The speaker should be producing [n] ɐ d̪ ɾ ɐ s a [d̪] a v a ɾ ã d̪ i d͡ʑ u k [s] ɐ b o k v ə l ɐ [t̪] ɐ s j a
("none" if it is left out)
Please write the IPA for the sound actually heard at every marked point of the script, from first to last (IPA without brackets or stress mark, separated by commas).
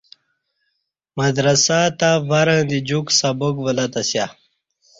m, t̪, s, t̪